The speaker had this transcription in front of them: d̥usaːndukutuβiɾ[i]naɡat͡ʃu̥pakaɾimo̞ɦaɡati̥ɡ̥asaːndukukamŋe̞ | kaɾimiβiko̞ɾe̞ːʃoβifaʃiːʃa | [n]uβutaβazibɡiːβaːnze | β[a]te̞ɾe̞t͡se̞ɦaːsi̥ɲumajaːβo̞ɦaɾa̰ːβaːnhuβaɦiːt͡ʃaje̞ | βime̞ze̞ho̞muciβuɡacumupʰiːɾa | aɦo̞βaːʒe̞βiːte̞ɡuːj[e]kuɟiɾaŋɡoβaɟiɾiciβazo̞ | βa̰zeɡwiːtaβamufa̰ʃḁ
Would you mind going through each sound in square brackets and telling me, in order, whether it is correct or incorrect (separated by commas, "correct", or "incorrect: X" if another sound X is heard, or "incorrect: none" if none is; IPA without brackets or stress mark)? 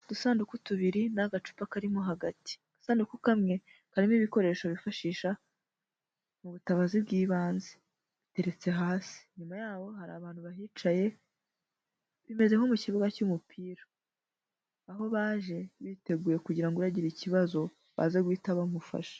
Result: correct, incorrect: m, incorrect: i, correct